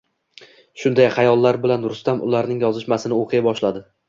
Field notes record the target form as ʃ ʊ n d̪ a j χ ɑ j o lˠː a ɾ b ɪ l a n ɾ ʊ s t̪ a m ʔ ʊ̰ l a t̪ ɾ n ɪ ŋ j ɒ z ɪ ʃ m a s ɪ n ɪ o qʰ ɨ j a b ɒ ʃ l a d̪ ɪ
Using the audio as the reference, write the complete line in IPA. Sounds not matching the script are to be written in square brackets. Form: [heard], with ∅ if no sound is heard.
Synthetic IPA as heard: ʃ ʊ n d̪ a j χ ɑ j [ɒ] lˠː a ɾ b ɪ l a n ɾ ʊ s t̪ a m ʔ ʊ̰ l a [∅] ɾ n ɪ ŋ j ɒ z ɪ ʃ m a s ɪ n ɪ o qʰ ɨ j a b ɒ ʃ l a d̪ ɪ